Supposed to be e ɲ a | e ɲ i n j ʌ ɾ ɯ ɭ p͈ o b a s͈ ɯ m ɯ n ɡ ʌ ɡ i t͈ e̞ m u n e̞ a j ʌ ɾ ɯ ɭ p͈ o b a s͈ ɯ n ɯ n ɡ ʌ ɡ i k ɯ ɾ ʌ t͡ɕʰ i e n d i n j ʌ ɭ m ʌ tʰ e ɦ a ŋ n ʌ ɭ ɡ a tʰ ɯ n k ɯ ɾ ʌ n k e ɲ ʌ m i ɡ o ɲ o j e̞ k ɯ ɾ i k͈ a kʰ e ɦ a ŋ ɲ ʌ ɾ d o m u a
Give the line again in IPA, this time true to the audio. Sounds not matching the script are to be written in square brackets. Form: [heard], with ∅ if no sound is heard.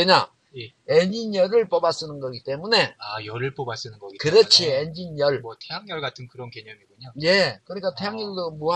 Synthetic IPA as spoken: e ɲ a | e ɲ i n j ʌ ɾ ɯ ɭ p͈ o b a s͈ ɯ [n] ɯ n ɡ ʌ ɡ i t͈ e̞ m u n e̞ a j ʌ ɾ ɯ ɭ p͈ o b a s͈ ɯ n ɯ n ɡ ʌ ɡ i k ɯ ɾ ʌ t͡ɕʰ i e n [d͡ʑ] i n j ʌ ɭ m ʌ tʰ e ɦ a ŋ [ɲ] ʌ ɭ ɡ a tʰ ɯ n k ɯ ɾ ʌ n k e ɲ ʌ m i ɡ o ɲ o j e̞ k ɯ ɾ i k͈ a [tʰ] e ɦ a ŋ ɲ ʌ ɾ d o m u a